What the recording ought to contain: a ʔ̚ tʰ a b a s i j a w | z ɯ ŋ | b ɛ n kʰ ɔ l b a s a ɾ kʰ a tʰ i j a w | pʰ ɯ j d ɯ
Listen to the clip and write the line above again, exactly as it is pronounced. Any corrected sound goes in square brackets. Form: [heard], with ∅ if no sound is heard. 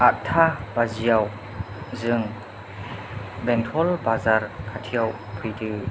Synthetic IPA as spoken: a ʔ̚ tʰ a b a [z] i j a w | z ɯ ŋ | b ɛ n [tʰ] ɔ l b a [z] a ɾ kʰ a tʰ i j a w | pʰ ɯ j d ɯ